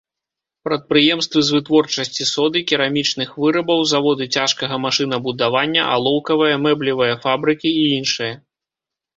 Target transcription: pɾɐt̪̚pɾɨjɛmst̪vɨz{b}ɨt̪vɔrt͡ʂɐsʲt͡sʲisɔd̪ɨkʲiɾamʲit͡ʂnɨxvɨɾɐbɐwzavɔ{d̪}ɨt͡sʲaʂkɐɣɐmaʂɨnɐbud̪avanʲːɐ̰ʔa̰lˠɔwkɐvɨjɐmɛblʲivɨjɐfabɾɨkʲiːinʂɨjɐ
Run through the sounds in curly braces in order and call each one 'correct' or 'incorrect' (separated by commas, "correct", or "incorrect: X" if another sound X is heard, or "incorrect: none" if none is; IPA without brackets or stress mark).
incorrect: v, correct